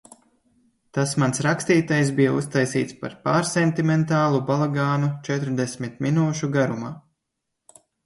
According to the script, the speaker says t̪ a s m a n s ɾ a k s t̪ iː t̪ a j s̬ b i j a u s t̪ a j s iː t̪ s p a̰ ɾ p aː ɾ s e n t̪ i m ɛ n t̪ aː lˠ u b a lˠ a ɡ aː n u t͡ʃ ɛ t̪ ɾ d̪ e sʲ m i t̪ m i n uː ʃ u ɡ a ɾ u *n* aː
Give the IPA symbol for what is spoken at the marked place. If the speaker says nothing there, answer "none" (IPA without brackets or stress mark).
m